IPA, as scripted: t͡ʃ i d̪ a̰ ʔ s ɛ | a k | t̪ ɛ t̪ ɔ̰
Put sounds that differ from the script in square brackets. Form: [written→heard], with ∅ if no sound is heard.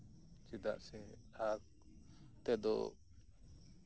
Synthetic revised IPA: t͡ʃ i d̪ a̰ ʔ s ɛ | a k | t̪ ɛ [t̪→d̪] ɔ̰